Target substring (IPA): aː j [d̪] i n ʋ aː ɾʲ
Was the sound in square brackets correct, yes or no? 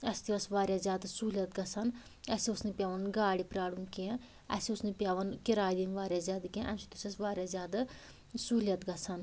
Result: yes